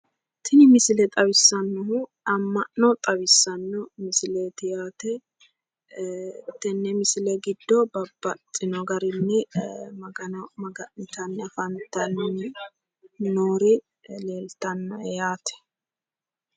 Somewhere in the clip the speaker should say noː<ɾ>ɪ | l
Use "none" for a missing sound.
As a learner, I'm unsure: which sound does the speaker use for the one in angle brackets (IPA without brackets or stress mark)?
ɾ